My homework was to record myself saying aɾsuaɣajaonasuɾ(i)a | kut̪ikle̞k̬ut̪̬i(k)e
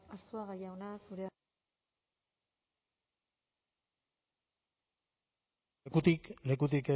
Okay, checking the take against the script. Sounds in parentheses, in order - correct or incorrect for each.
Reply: incorrect: e, correct

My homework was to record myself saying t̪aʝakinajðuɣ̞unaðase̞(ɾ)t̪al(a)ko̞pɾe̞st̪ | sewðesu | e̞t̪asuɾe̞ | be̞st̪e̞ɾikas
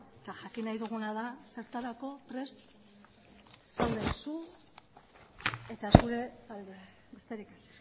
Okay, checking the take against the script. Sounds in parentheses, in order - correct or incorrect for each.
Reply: correct, correct

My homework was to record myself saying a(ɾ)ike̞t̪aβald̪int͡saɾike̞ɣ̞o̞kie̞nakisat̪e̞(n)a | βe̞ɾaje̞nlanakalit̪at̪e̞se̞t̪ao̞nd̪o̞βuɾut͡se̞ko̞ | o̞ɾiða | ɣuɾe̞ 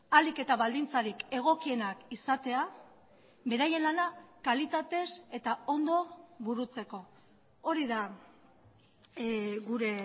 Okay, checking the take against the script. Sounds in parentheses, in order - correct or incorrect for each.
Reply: incorrect: l, incorrect: none

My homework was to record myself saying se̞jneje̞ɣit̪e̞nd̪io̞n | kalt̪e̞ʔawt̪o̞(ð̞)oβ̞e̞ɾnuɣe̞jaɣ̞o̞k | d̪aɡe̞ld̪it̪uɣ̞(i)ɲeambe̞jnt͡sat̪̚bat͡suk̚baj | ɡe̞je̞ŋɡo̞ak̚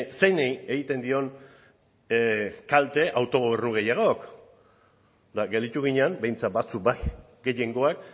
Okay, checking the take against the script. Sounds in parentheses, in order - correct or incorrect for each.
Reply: incorrect: ɣ̞, correct

